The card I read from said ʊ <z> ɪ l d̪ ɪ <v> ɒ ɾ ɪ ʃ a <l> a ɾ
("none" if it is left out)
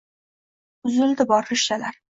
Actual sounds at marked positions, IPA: z, b, l

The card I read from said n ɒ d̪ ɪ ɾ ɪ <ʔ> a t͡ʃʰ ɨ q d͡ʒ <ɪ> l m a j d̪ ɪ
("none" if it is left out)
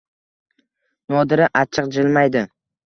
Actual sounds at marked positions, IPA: ʔ, ɪ

